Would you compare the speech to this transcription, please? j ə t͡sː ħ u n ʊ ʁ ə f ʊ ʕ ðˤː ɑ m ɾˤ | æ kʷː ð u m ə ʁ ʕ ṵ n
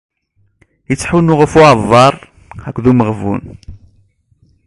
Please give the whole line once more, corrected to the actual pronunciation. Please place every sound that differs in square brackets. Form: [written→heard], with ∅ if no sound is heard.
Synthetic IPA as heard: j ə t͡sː ħ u n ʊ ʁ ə f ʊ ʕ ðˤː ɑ [m→∅] ɾˤ | æ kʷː ð u m ə ʁ [ʕ→v] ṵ n